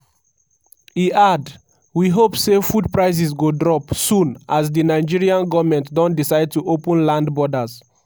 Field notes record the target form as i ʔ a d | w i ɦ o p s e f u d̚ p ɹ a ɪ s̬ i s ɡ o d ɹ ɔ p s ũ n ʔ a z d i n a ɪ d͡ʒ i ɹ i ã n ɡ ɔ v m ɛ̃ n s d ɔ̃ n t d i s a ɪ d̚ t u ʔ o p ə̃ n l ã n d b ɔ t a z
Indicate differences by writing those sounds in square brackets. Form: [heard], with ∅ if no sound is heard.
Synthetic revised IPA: i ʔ a d | w i ɦ o p s e f u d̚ p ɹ a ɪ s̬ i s ɡ o d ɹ ɔ p s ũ n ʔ a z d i n a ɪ d͡ʒ i ɹ i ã n ɡ ɔ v m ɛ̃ n [t] d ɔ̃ n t d i s a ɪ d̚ t u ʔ o p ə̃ n l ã n d b ɔ [d] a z

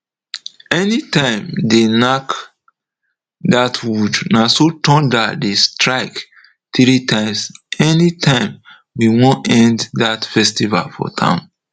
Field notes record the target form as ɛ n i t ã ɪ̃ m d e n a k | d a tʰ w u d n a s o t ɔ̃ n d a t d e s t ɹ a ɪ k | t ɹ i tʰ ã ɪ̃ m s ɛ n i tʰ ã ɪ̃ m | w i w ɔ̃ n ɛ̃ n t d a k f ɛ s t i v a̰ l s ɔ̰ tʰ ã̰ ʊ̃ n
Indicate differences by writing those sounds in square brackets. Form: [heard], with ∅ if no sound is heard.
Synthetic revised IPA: ɛ n i t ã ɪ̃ m d e n a k | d a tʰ w u d n a s o t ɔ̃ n d a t d e s t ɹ a ɪ k | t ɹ i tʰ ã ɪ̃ m s ɛ n i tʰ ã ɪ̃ m | w i w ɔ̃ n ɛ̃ n [d] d a [t] f ɛ s t i v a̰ l [f] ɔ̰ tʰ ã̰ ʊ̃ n

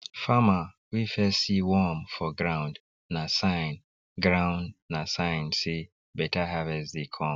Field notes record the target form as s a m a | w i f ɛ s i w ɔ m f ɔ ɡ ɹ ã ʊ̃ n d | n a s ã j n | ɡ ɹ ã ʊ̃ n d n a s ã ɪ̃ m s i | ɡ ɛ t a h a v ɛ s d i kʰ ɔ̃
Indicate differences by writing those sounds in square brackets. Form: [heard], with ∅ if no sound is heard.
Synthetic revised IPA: [f] a m a | w i f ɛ s i w ɔ m f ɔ ɡ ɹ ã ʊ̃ n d | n a s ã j n | ɡ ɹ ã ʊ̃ n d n a s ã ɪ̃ [n] s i | [b] ɛ t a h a v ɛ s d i kʰ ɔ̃

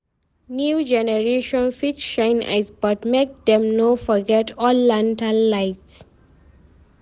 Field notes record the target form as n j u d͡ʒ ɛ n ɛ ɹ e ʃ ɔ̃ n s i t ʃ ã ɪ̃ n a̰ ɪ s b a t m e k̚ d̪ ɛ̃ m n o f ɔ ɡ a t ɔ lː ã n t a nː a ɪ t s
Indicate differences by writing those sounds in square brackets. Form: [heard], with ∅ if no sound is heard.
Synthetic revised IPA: n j u d͡ʒ ɛ n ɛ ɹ e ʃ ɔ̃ n [f] i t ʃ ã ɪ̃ n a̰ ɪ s b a t m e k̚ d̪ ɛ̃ m n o f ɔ ɡ [ɛ] t ɔ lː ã n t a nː a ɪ t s

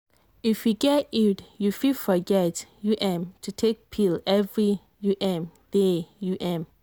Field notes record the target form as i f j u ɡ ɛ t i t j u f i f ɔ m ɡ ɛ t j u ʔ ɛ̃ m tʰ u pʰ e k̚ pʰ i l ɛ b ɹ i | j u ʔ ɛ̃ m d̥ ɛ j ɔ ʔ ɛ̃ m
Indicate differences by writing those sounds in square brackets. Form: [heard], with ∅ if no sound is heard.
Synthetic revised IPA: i f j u ɡ ɛ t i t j u f i f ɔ [∅] ɡ ɛ t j u ʔ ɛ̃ m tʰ u [tʰ] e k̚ pʰ i l ɛ [v] ɹ i | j u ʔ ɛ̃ m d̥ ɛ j [u] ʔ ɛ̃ m

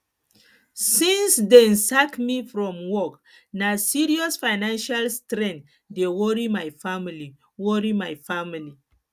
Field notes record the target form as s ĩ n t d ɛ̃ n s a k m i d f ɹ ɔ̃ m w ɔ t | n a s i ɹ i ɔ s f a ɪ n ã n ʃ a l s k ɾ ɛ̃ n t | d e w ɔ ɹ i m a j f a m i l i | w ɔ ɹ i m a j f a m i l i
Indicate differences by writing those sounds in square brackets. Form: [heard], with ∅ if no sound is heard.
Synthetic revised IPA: s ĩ n [s] d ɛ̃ n s a k m i [∅] f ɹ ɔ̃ m w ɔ [k] | n a s i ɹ i ɔ s f a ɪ n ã n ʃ a l s [t] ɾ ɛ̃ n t | d e w ɔ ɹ i m a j f a m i l i | w ɔ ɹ i m a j f a m i l i

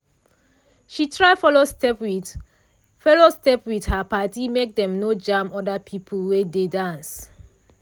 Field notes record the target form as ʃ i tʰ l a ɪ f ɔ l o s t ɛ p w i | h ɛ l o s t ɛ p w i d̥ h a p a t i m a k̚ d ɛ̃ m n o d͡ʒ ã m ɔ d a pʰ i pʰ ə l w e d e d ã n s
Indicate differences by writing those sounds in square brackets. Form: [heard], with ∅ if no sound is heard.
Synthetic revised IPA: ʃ i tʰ [ɹ] a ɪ f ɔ l o s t ɛ p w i | [f] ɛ l o s t ɛ p w i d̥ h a p a t i m [e] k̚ d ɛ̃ m n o d͡ʒ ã m ɔ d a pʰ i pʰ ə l w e d e d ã n s

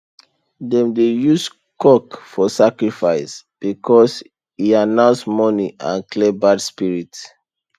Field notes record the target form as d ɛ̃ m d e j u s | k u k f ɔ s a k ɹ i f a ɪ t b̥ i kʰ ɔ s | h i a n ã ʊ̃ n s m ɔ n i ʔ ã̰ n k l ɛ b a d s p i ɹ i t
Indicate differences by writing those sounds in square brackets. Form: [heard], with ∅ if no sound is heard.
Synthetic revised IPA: d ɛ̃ m d e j u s | k [ɔ] k f ɔ s a k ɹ i f a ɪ [s] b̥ i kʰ ɔ s | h i a n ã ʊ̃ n s m ɔ n i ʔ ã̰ n k l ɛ b a d s p i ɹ i t

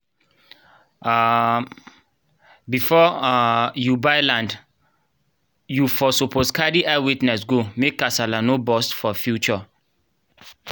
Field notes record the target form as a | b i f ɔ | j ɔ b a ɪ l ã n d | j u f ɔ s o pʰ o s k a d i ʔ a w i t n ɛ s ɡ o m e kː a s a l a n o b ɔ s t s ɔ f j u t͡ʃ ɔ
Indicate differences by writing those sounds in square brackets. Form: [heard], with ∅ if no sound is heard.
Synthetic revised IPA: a | b i f ɔ | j [u] b a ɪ l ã n d | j u f ɔ s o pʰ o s k a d i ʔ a w i t n ɛ s ɡ o m e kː a s a l a n o b ɔ s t [f] ɔ f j u t͡ʃ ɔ

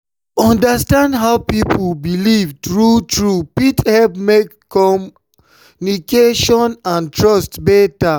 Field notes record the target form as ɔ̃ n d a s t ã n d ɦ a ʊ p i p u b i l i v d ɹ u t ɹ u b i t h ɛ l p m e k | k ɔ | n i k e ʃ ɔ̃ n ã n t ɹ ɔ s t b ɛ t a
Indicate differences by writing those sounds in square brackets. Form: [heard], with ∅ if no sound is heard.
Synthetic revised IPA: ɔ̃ n d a s t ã n d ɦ a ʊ p i p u b i l i v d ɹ u t ɹ u [p] i t h ɛ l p m e k | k ɔ | n i k e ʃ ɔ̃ n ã n t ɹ ɔ s t b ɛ t a

